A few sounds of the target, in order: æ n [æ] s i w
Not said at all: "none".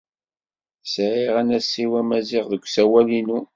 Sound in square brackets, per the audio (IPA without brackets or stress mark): æ